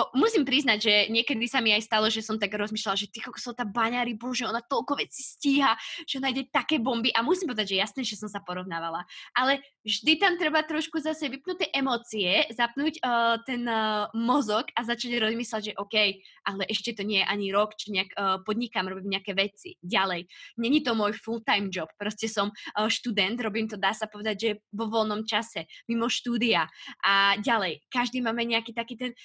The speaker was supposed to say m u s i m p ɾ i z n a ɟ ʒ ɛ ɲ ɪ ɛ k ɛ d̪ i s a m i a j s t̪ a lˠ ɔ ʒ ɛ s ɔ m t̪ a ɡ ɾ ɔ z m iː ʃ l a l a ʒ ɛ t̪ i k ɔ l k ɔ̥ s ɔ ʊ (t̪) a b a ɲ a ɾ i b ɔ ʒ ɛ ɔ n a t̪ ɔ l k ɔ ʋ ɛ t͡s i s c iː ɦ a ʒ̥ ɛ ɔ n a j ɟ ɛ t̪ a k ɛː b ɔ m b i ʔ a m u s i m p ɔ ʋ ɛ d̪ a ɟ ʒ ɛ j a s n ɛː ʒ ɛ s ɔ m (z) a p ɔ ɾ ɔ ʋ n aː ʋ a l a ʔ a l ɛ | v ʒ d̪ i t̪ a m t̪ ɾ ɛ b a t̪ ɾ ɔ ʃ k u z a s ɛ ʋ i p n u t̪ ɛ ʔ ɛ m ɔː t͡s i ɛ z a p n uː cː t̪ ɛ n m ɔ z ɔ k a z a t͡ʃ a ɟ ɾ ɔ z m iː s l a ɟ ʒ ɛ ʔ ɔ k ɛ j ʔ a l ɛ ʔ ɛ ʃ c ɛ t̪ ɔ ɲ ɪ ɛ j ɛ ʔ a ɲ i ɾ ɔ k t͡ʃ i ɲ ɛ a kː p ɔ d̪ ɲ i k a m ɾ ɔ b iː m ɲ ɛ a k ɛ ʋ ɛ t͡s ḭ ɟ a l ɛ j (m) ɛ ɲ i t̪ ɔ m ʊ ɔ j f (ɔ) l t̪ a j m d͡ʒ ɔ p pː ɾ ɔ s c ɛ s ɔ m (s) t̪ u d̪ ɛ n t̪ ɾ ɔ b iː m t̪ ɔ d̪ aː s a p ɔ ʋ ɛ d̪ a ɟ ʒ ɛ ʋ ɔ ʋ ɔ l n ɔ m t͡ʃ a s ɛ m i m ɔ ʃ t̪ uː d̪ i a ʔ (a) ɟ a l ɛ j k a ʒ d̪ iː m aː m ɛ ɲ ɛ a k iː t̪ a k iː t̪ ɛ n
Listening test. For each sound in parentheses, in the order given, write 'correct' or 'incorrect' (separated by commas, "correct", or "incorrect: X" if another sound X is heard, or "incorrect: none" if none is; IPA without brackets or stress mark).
correct, incorrect: s, incorrect: ɲ, incorrect: u, incorrect: ʃ, correct